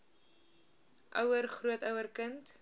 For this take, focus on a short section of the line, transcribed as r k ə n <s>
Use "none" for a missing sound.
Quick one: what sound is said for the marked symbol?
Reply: t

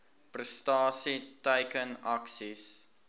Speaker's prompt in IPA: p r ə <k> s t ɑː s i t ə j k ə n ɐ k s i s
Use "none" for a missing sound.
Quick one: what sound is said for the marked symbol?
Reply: none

